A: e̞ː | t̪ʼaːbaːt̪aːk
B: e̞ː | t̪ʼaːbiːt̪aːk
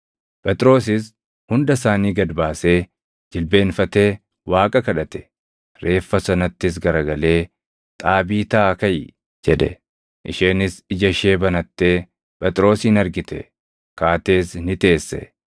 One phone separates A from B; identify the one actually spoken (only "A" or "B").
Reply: B